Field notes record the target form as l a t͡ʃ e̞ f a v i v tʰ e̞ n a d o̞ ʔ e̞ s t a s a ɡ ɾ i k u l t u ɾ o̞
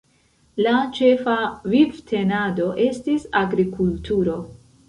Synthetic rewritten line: l a t͡ʃ e̞ f a v i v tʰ e̞ n a d o̞ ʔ e̞ s t i s a ɡ ɾ i k u l t u ɾ o̞

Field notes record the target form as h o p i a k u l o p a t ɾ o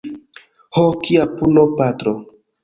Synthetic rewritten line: h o k i a p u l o p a t ɾ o

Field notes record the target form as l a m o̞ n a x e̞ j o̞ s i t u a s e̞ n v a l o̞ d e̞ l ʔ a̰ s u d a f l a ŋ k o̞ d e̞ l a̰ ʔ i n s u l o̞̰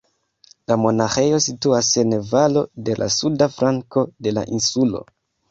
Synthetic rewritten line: l a m o̞ n a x e̞ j o̞ s i t u a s e̞ n v a l o̞ d e̞ l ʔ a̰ s u d a f ɾ a ŋ k o̞ d e̞ l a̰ ʔ i n s u l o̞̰

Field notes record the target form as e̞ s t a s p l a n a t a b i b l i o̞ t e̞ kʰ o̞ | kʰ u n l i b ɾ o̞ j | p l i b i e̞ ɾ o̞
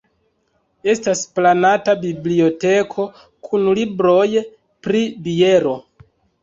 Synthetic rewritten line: e̞ s t a s p l a n a t a b i b l i o̞ t e̞ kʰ o̞ | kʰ u n l i b ɾ o̞ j | p ɾ i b i e̞ ɾ o̞

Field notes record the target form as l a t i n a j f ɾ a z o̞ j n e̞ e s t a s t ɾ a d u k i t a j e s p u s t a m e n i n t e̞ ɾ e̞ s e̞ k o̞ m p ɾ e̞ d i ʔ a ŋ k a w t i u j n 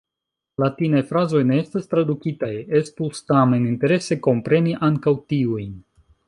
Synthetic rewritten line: l a t i n a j f ɾ a z o̞ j n e̞ e s t a s t ɾ a d u k i t a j e s p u s t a m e n i n t e̞ ɾ e̞ s e̞ k o̞ m p ɾ e̞ n i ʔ a ŋ k a w t i u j n

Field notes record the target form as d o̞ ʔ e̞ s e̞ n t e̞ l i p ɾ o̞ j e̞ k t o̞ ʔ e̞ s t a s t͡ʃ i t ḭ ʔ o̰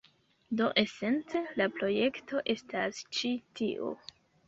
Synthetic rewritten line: d o̞ ʔ e̞ s e̞ n t͡s e̞ l a p ɾ o̞ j e̞ k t o̞ ʔ e̞ s t a s t͡ʃ i t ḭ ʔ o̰

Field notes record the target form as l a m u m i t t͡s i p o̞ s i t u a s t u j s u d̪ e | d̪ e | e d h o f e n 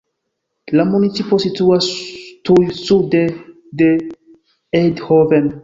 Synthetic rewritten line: l a m u n i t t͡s i p o̞ s i t u a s t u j s u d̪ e | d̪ e | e d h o v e n

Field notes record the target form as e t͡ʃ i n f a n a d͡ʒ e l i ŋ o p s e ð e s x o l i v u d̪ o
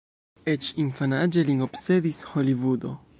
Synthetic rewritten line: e t͡ʃ i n f a n a d͡ʒ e l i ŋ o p s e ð i s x o l i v u d̪ o

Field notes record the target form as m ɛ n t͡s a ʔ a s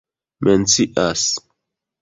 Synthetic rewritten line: m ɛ n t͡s i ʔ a s

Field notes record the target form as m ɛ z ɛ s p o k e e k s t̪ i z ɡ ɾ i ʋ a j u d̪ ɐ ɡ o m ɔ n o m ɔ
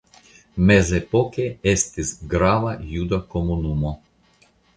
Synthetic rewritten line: m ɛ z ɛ p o k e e s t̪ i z ɡ ɾ a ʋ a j u d̪ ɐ k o m u n u m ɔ

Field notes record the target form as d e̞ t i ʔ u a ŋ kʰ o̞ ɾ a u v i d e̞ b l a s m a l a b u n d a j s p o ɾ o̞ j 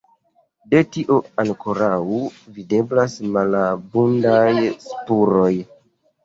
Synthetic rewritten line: d e̞ t i ʔ o a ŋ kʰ o̞ ɾ a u v i d e̞ b l a s m a l a b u n d a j s p u ɾ o̞ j

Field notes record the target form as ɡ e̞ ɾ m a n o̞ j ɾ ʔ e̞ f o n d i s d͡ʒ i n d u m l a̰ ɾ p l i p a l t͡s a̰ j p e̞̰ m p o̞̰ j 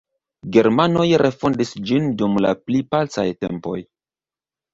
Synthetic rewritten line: ɡ e̞ ɾ m a n o̞ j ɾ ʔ e̞ f o n d i s d͡ʒ i n d u m l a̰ p l i p a l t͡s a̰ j t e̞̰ m p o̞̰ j

